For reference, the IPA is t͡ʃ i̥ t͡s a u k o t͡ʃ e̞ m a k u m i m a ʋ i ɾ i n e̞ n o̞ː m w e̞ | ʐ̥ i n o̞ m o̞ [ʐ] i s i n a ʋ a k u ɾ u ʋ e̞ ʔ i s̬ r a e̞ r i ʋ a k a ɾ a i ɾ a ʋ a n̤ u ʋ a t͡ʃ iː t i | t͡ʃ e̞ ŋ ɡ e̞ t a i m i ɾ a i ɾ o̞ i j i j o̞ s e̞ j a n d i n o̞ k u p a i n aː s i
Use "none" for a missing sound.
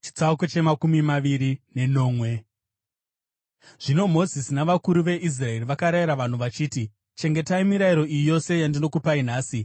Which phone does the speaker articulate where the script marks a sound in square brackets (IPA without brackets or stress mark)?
z